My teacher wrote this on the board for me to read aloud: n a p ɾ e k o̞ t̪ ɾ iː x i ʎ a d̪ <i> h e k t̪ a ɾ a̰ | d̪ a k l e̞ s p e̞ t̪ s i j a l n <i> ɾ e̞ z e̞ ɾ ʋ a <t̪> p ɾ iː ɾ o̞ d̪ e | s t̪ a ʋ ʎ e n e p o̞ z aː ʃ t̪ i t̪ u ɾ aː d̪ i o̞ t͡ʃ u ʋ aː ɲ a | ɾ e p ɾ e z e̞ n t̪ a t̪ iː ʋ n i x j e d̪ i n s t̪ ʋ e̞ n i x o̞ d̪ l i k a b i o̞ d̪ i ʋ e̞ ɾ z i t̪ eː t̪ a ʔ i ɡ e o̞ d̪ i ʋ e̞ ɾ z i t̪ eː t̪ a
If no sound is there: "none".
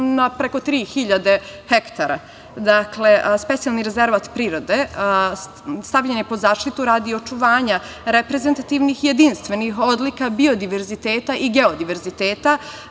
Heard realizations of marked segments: e, i, t̪

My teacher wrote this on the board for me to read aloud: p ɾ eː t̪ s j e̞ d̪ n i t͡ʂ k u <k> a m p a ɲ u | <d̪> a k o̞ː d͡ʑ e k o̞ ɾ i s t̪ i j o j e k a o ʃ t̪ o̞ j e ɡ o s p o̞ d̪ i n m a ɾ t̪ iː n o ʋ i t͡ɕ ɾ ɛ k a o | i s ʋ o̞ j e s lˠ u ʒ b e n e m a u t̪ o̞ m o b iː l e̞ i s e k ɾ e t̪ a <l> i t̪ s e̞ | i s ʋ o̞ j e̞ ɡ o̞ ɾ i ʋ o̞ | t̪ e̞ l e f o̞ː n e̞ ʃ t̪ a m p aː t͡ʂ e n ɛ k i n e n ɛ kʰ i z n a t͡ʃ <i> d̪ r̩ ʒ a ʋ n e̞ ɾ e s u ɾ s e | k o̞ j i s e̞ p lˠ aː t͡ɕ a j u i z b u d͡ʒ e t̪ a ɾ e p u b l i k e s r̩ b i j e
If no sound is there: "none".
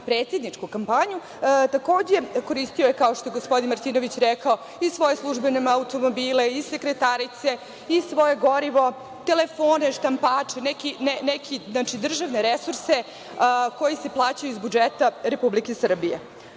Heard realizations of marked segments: k, t̪, ɾ, i

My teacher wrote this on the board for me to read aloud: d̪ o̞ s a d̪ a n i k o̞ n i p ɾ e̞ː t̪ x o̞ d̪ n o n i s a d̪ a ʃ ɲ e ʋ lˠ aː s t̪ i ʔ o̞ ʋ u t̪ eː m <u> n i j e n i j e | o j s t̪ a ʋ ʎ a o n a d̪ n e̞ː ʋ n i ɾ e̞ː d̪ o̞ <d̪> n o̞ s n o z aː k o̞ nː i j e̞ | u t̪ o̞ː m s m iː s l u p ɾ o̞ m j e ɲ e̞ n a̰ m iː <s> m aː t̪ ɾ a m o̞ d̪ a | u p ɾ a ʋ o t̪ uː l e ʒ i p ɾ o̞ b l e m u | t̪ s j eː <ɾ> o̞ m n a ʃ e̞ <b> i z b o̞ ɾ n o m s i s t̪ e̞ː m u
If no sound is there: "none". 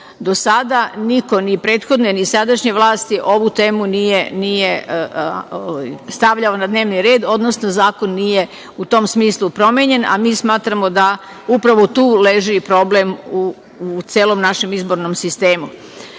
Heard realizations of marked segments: u, d̪, s, l, m

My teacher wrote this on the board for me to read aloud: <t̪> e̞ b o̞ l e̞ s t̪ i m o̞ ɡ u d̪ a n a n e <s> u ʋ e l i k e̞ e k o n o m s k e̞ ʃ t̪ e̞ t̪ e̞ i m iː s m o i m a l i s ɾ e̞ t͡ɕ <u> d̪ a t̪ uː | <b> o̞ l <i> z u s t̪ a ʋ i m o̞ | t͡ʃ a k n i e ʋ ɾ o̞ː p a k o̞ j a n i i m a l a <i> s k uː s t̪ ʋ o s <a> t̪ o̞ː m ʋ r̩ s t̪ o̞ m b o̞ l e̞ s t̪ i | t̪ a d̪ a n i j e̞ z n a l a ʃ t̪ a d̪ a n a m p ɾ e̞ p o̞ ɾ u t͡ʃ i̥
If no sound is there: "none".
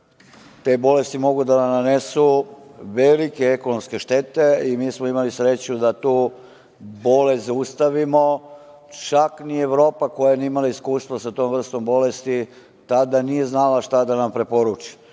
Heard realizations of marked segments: t̪, s, u, b, e, i, a

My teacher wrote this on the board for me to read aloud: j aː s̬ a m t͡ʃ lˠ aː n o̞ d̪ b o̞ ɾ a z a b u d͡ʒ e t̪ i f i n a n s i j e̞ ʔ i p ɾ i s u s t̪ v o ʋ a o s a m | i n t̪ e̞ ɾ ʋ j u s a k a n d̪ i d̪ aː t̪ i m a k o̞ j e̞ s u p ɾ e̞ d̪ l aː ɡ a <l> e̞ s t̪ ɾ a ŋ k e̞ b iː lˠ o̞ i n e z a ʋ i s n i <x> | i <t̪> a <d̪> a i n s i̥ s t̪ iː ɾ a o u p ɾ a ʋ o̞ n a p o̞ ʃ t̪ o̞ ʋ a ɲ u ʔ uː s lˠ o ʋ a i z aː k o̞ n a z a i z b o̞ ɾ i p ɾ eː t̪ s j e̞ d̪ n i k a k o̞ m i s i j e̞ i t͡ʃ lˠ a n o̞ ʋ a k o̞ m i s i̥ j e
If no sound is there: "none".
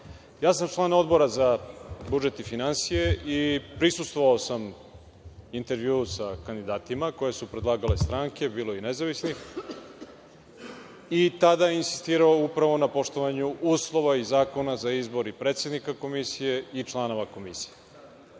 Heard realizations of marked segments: l, x, t̪, d̪

